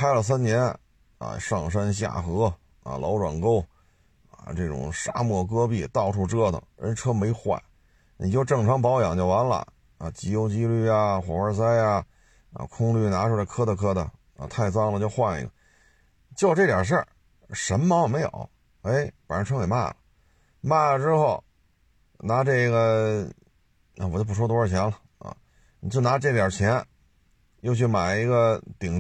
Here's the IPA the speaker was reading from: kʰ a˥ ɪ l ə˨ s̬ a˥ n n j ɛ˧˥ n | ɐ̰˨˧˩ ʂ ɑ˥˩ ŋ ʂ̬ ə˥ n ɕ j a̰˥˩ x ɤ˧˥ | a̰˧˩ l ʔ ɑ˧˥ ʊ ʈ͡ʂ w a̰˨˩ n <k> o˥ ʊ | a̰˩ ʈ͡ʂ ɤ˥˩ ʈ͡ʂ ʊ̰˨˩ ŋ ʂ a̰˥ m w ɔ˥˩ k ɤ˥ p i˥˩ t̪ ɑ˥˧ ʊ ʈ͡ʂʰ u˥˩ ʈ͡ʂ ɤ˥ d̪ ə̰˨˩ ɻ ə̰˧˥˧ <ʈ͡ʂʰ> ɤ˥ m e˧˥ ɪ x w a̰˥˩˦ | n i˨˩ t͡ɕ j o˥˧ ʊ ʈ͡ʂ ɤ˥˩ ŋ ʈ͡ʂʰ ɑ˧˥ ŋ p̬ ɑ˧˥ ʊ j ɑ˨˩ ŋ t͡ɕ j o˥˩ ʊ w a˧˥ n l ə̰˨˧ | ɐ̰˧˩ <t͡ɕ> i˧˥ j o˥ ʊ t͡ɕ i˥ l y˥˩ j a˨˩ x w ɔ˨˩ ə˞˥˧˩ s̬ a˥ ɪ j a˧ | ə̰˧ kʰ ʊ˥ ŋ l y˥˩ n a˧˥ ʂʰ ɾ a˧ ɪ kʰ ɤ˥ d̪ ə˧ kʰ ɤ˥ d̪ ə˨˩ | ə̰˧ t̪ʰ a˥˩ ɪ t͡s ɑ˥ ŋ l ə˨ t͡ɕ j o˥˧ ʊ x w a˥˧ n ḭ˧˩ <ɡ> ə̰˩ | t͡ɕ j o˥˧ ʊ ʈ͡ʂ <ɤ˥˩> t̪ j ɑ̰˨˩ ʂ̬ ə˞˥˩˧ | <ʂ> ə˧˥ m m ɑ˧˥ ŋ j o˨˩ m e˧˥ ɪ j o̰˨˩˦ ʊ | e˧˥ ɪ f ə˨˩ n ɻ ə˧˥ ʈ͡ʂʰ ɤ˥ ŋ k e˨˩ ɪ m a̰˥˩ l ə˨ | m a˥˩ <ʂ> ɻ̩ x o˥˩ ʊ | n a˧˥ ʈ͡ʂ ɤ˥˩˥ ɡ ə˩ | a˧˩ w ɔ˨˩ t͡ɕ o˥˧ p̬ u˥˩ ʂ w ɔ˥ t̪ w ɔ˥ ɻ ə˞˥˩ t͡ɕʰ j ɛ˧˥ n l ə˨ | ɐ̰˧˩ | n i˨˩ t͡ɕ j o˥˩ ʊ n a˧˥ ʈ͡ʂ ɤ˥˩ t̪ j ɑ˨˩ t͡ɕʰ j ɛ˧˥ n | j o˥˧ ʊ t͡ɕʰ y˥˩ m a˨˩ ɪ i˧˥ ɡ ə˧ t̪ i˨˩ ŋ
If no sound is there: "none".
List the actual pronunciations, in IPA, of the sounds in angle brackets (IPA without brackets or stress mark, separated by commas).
k, ʈ͡ʂʰ, t͡ɕ, ɡ, ɤ˥˩, ʂ, ʈ͡ʂ